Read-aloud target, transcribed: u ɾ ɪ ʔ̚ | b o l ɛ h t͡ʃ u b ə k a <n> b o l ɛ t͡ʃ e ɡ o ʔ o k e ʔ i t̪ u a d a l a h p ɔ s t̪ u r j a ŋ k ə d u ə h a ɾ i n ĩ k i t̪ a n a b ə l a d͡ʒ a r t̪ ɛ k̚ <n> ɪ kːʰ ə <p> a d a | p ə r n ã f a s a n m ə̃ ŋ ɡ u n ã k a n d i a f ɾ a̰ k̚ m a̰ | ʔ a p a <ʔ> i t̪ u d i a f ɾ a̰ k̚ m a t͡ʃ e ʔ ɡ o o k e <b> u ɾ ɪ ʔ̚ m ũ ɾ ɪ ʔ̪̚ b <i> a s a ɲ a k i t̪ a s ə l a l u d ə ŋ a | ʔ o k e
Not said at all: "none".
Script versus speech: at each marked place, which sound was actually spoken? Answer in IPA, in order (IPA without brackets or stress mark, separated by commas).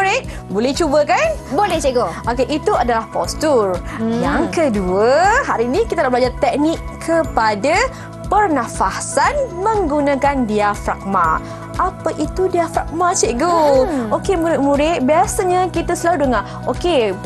n, n, p, ʔ, m, i